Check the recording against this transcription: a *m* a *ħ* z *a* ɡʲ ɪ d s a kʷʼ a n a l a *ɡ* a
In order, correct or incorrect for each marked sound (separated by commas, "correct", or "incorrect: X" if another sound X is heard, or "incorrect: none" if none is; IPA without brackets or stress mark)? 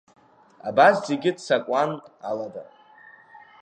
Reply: incorrect: b, incorrect: s, incorrect: e, incorrect: d